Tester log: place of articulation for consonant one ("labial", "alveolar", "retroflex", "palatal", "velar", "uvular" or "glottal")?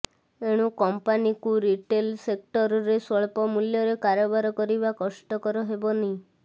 retroflex